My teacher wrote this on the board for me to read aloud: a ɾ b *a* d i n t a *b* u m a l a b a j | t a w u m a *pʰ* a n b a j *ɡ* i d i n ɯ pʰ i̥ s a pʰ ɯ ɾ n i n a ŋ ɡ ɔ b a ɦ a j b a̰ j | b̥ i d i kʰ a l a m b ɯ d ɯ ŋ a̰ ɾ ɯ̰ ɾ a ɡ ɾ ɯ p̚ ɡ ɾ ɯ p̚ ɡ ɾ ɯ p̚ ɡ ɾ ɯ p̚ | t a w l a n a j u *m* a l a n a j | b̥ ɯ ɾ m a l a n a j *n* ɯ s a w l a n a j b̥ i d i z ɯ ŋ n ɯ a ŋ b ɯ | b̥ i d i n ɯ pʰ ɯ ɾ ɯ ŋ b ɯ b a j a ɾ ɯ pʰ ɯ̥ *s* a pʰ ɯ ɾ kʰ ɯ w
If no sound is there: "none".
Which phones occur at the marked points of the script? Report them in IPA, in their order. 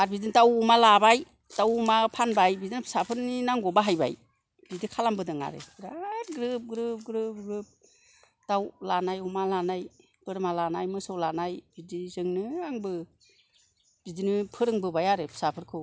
i, w, pʰ, b, m, m, s

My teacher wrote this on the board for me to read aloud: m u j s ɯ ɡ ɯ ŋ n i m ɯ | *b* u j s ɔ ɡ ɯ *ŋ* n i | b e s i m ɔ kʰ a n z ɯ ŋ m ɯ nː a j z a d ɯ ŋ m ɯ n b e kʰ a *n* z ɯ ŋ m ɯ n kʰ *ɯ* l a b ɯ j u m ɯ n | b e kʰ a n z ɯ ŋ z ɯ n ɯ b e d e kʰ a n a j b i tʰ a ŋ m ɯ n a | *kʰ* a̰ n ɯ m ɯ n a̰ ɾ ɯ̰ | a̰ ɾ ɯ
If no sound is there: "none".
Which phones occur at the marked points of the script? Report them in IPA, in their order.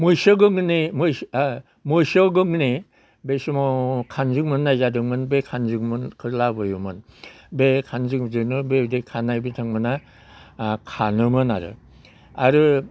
m, ŋ, n, ɯ, kʰ

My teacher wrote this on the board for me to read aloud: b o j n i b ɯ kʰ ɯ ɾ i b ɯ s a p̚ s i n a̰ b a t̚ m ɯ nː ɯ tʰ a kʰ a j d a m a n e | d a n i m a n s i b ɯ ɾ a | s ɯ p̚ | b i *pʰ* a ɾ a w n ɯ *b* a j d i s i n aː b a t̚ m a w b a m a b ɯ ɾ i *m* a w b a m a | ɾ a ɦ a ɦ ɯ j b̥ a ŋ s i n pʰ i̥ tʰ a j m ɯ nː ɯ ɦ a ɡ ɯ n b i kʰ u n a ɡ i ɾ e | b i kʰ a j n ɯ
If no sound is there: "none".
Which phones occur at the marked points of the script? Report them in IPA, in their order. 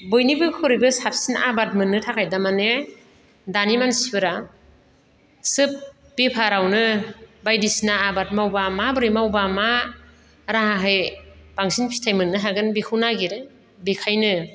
pʰ, b, m

